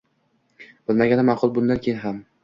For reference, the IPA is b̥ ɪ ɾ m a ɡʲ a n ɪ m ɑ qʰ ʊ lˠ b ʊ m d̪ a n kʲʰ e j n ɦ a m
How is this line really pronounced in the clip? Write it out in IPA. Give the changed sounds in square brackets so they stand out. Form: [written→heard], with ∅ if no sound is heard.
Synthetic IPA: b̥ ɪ [ɾ→l] m a ɡʲ a n ɪ m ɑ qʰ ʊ lˠ b ʊ [m→n] d̪ a n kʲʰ e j n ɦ a m